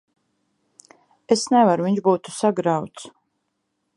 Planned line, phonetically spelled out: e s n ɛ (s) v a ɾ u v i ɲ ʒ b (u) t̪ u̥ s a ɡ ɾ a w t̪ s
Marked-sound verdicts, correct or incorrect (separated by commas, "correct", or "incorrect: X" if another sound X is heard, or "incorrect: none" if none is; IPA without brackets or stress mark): incorrect: none, incorrect: uː